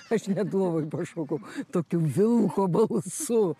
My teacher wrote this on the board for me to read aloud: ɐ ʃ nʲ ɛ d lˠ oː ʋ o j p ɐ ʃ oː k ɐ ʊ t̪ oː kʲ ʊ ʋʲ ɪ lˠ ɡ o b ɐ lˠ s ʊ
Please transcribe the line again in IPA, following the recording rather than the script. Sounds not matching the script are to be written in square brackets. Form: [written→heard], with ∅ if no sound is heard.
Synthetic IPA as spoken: ɐ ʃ nʲ ɛ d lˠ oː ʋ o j p ɐ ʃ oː k ɐ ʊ t̪ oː kʲ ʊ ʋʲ ɪ lˠ [ɡ→k] o b ɐ lˠ s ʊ